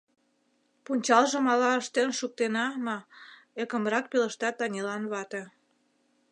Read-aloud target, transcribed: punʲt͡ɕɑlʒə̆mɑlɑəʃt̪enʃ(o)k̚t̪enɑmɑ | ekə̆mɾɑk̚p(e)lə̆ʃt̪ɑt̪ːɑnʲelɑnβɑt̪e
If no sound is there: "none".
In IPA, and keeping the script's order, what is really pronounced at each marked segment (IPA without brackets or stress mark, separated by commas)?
u, e